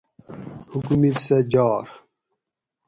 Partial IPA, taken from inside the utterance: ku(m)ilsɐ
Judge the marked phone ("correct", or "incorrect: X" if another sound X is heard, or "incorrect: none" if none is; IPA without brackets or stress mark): correct